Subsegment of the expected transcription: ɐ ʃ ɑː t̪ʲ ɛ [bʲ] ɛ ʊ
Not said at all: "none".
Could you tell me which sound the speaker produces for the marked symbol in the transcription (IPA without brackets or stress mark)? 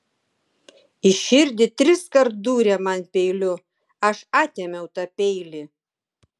mʲ